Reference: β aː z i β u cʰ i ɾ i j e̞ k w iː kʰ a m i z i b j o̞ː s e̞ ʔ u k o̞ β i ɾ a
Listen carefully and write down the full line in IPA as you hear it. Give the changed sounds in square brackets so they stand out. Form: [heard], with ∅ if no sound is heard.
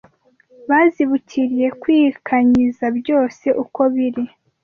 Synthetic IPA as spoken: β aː z i β u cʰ i ɾ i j e̞ k w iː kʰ a [ɲ] i z [a] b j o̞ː s e̞ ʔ u k o̞ β i ɾ [i]